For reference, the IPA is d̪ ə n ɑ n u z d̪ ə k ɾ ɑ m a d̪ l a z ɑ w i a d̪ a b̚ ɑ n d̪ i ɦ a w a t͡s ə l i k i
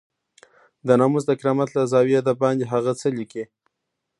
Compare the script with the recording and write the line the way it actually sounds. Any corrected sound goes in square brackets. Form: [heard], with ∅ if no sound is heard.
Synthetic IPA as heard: d̪ ə n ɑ [m] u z d̪ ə k ɾ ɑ m a [t̪] l a z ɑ w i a d̪ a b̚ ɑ n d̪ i ɦ a [ɣ] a t͡s ə l i k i